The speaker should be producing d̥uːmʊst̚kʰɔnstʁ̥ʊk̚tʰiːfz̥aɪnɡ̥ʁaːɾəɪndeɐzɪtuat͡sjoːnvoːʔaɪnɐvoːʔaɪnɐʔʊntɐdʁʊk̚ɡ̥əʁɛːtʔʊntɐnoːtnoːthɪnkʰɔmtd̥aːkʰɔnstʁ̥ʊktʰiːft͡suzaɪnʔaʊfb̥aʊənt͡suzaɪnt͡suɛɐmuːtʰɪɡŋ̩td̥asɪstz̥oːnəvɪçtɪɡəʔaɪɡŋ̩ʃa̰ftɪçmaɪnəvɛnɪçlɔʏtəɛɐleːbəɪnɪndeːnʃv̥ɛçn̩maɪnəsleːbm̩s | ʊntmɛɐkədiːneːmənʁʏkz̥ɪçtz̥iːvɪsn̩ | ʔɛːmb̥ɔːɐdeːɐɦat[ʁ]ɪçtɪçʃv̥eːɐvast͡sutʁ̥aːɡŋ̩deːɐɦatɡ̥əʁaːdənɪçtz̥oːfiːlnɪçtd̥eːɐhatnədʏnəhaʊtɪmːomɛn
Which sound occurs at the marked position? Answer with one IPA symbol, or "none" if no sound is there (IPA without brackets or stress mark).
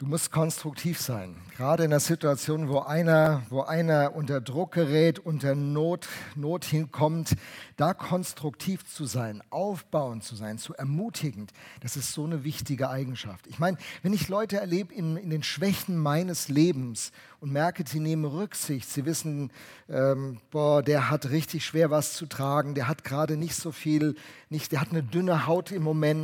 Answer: ʁ